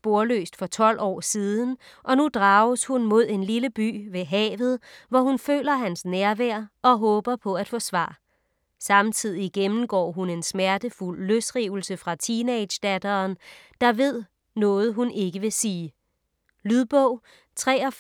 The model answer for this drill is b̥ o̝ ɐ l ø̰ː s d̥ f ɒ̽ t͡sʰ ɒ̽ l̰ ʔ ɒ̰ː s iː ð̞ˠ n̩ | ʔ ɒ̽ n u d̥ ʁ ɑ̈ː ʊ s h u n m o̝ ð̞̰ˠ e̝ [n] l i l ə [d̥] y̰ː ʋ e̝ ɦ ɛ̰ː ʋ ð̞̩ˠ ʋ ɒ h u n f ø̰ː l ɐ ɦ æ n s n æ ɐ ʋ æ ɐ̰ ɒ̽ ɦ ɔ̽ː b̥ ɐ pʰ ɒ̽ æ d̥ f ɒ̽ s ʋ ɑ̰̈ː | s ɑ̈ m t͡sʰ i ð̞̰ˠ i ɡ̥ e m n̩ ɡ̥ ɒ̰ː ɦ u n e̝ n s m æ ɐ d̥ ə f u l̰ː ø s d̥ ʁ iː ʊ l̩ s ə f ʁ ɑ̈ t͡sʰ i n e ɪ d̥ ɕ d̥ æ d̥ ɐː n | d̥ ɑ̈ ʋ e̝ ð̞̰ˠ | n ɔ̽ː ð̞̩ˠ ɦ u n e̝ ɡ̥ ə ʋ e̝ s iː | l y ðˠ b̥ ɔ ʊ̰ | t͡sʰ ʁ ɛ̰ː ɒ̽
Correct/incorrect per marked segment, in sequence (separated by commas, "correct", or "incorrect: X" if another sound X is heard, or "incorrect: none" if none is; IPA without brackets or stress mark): correct, incorrect: b̥